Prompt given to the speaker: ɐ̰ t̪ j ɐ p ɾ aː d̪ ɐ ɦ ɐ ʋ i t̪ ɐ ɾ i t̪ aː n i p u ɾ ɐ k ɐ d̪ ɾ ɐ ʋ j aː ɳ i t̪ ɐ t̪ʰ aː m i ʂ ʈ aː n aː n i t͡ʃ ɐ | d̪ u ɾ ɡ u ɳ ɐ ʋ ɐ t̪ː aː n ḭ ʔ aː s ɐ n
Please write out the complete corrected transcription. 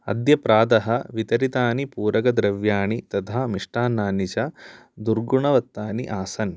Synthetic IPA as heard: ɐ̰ d̪ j ɐ p ɾ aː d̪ ɐ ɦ ɐ ʋ i t̪ ɐ ɾ i t̪ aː n i p uː ɾ ɐ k ɐ d̪ ɾ ɐ ʋ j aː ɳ i t̪ ɐ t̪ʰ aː m i ʂ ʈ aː n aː n i t͡ʃ ɐ | d̪ u ɾ ɡ u ɳ ɐ ʋ ɐ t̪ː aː n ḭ ʔ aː s ɐ n